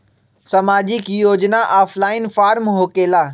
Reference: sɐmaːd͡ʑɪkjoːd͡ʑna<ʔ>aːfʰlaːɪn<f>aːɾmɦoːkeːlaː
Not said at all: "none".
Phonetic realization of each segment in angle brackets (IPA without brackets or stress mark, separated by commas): ʔ, f